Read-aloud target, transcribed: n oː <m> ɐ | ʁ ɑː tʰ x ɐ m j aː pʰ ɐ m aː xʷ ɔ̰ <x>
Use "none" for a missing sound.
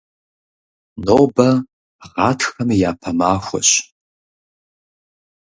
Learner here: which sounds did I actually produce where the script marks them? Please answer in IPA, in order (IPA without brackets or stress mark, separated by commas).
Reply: b, ɕ